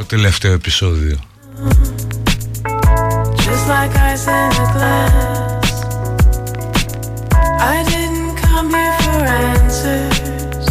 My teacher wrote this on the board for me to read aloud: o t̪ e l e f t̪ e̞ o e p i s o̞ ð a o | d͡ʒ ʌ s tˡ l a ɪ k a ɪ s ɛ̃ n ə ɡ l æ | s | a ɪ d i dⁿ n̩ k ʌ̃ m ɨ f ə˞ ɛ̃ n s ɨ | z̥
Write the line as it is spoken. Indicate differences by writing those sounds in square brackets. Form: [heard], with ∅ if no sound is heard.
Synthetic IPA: o t̪ e l e f t̪ e̞ o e p i s o̞ ð [i] o | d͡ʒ ʌ s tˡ l a ɪ k a ɪ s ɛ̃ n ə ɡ l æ | s | a ɪ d [ɪ] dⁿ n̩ [kʰ] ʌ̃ m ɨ f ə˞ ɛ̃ n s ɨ | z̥